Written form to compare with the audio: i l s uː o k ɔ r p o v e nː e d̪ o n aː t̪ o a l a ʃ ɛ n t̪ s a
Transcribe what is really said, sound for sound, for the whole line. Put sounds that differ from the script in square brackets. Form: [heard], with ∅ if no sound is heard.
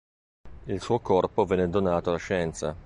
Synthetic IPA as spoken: i l s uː o k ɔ r p o v [ɛ] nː e d̪ o n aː t̪ o a l a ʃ ɛ n t̪ s a